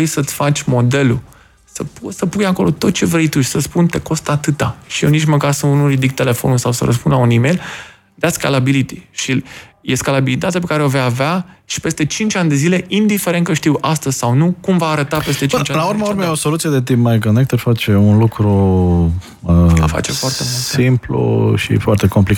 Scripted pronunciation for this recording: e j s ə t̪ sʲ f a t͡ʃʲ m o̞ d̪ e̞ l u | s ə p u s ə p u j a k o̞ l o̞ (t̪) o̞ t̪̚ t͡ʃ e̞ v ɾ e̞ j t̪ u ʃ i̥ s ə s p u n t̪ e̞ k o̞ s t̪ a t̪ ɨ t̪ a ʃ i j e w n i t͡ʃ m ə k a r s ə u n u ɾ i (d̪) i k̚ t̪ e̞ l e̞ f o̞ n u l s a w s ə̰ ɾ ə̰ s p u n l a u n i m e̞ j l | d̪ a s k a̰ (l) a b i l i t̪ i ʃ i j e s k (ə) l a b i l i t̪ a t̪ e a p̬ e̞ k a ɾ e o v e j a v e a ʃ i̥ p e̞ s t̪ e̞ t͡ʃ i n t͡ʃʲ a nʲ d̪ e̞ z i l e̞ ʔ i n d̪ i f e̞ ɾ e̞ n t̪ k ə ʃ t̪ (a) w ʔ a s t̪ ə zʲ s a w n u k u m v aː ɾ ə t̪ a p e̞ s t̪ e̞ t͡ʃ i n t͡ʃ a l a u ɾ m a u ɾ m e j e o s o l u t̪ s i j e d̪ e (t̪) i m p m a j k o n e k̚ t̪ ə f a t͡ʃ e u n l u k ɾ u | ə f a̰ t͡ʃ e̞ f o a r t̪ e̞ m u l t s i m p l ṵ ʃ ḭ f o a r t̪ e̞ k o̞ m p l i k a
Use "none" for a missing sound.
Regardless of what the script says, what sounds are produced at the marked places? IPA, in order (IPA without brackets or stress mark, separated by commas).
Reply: t̪, d̪, l, a, i, t̪